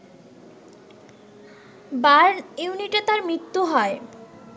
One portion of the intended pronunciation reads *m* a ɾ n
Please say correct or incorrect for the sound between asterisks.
incorrect